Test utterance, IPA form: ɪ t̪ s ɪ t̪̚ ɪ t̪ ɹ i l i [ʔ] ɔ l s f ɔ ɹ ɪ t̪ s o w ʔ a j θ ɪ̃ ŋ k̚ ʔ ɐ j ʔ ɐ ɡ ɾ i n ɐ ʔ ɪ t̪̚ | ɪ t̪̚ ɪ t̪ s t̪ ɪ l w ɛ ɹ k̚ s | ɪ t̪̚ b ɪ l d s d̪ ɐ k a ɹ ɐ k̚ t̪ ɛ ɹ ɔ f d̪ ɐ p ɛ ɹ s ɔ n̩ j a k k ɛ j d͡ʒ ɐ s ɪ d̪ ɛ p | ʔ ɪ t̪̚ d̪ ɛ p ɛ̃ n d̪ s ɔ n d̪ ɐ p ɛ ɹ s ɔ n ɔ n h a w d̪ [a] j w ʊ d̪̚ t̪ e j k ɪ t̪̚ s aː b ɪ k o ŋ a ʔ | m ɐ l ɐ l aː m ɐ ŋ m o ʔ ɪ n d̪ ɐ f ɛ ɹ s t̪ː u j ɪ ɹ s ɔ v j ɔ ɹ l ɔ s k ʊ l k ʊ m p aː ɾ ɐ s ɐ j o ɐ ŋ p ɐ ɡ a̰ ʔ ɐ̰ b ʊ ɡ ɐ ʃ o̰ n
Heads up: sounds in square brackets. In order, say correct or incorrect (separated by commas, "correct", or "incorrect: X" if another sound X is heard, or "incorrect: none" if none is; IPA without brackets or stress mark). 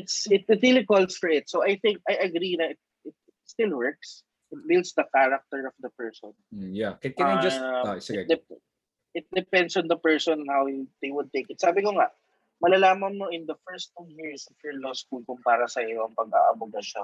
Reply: incorrect: k, incorrect: e